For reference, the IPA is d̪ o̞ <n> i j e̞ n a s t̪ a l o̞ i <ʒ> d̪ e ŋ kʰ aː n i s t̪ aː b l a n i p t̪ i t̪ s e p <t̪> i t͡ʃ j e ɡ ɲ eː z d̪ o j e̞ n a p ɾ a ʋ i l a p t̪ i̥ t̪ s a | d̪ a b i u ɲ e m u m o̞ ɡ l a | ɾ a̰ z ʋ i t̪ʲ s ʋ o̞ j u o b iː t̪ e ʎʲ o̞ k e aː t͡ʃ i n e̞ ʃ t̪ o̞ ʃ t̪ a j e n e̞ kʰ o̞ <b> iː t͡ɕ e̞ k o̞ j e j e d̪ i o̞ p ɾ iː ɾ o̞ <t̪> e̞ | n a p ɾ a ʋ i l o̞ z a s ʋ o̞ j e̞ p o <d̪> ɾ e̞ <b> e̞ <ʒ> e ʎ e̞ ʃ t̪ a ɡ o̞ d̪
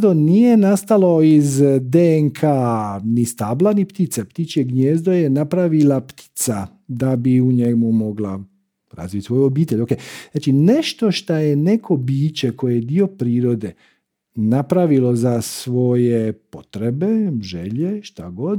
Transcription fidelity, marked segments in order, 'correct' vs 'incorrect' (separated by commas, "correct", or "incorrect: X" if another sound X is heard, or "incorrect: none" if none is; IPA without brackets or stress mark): correct, incorrect: z, correct, correct, incorrect: d̪, incorrect: t̪, correct, correct